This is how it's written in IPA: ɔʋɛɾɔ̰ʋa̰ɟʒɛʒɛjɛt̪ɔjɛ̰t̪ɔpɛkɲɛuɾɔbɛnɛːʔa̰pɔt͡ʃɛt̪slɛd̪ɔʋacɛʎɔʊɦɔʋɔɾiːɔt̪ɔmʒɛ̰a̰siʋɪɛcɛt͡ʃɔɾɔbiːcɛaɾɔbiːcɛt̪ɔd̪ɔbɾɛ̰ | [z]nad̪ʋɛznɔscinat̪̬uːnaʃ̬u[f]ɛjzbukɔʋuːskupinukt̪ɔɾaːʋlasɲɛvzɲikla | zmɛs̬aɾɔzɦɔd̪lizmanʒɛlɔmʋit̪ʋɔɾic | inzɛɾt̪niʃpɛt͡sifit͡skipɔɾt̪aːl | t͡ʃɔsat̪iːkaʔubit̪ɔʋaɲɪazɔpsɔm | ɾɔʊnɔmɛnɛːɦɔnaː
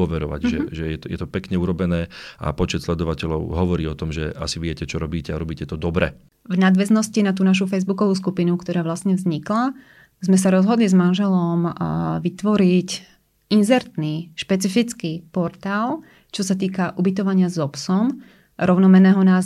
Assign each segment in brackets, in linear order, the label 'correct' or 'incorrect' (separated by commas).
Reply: incorrect, correct